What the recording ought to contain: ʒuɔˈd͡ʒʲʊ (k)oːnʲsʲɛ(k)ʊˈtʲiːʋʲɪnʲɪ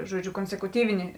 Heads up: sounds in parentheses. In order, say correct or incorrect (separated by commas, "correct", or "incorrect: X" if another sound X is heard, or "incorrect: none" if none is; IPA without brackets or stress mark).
correct, correct